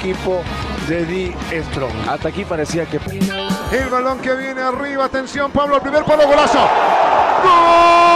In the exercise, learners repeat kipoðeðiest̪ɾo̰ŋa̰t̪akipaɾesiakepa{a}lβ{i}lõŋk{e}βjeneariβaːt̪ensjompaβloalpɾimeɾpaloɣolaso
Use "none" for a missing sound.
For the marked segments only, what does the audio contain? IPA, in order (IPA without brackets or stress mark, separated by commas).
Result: e, a, e